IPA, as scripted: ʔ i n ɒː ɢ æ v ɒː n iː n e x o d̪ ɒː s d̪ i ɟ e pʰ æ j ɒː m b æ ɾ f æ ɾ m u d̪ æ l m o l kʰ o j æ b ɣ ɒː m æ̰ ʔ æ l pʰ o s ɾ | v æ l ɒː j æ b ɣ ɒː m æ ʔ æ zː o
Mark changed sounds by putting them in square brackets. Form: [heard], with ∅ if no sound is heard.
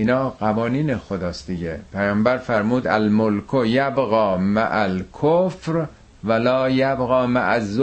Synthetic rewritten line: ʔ i n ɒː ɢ æ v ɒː n iː n e x o d̪ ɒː s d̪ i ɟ e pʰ æ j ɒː m b æ ɾ f æ ɾ m [uː] d̪ æ l m o l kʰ o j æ b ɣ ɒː m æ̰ ʔ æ l [kʰ] o [f] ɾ | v æ l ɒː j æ b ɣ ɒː m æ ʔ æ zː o